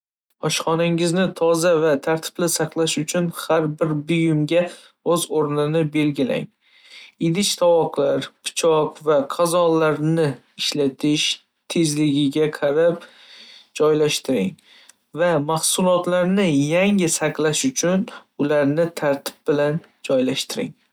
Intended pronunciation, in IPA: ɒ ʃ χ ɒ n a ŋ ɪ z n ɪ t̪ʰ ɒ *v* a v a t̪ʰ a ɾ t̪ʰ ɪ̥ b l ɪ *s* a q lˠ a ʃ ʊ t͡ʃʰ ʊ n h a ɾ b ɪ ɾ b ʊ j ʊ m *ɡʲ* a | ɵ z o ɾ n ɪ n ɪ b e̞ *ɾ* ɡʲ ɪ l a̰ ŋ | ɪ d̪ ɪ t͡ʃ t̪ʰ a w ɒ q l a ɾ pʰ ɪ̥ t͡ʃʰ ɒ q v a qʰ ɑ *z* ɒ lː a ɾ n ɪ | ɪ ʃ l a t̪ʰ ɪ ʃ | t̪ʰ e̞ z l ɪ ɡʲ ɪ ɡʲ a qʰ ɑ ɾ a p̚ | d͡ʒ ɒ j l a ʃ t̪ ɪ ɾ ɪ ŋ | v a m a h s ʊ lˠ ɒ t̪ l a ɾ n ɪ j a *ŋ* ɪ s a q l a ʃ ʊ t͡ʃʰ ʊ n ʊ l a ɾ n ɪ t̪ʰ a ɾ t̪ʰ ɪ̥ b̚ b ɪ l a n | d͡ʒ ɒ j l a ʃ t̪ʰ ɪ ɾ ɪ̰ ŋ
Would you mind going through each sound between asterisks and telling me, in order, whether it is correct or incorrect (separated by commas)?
incorrect, correct, correct, incorrect, correct, correct